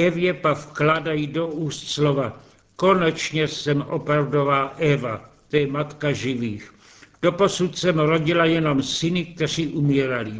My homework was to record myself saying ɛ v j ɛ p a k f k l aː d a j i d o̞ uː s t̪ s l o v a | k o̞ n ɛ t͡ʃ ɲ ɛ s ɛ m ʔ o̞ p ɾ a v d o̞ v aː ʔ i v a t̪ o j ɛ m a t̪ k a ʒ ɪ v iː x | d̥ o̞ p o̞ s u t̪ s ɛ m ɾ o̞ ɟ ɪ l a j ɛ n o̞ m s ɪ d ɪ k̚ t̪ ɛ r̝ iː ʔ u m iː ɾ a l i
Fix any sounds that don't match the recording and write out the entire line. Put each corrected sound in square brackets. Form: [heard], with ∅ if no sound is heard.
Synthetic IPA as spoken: ɛ v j ɛ p a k f k l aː d a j i d o̞ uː s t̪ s l o v a | k o̞ n ɛ t͡ʃ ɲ ɛ s ɛ m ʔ o̞ p ɾ a v d o̞ v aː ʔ [ɛ] v a t̪ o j ɛ m a t̪ k a ʒ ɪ v iː x | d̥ o̞ p o̞ s u t̪ s ɛ m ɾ o̞ ɟ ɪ l a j ɛ n o̞ m s ɪ [n] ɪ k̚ t̪ ɛ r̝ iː ʔ u m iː ɾ a l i